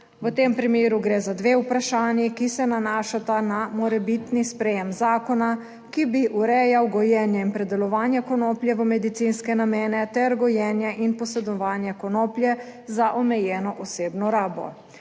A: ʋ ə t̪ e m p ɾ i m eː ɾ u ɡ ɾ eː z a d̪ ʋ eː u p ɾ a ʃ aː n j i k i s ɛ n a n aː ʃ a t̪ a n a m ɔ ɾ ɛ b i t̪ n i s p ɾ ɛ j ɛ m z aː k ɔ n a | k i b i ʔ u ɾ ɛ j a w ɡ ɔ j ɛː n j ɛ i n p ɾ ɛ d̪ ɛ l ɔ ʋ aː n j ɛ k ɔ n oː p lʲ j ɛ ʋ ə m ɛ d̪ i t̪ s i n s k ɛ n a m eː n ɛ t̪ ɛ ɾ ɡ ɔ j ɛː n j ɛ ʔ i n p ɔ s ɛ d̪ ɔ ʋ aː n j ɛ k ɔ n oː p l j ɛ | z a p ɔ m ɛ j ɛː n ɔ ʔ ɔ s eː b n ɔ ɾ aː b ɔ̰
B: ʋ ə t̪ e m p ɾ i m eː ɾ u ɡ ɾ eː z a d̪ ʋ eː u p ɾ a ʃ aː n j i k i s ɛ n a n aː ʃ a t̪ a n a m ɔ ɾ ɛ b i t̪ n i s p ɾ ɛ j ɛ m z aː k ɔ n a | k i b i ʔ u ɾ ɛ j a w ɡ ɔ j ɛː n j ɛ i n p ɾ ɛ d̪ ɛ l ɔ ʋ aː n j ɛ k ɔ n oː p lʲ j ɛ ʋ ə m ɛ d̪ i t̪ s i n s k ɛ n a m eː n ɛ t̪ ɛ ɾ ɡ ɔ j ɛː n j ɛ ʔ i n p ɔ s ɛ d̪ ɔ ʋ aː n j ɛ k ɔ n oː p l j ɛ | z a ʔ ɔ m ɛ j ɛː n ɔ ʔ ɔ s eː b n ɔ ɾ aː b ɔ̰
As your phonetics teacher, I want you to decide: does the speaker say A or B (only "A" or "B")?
B